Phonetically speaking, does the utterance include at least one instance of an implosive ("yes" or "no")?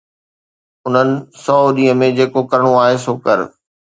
yes